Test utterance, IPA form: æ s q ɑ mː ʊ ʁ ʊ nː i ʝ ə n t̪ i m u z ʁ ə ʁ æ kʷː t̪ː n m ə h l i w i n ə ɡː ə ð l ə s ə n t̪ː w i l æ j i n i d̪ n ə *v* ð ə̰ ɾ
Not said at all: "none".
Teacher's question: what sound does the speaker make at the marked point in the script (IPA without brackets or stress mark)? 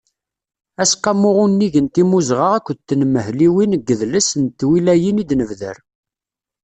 v